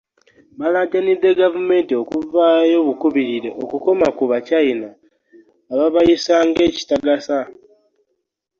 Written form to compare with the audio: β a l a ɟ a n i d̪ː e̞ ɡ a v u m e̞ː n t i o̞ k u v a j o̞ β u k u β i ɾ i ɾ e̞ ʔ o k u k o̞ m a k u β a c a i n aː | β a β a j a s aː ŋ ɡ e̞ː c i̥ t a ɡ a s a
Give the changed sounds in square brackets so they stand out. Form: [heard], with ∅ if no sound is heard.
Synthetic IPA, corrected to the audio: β a l a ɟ a n i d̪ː e̞ ɡ a v u m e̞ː n t i o̞ k u v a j o̞ β u k u β i ɾ i ɾ e̞ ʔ o k u k o̞ m a k u β a c a i n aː | β a β a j [i] s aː ŋ ɡ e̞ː c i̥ t a ɡ a s a